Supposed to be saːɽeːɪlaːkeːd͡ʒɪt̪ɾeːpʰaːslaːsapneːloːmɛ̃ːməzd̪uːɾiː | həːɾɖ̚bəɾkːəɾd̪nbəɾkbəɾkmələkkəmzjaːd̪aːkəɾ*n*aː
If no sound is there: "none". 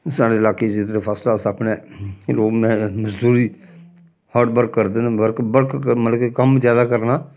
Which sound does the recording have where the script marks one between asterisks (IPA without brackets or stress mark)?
n